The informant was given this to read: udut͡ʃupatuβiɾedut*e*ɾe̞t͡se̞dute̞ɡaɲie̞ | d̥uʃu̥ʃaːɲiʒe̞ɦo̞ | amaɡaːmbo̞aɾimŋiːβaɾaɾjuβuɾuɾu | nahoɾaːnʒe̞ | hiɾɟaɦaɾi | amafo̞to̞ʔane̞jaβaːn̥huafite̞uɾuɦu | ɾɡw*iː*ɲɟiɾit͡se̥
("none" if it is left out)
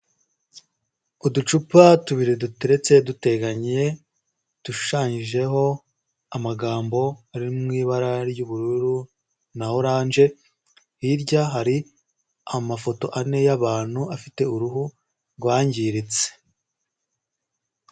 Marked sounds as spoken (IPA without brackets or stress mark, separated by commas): e, aː